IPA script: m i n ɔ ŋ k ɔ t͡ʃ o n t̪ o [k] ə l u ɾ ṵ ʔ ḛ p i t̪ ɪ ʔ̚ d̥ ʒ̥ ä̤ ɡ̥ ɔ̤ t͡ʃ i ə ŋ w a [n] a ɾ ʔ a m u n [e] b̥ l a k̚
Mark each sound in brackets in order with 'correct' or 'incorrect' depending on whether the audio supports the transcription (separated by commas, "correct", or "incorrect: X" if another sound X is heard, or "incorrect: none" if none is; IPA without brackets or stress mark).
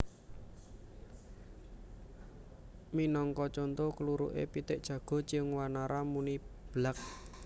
correct, correct, incorrect: i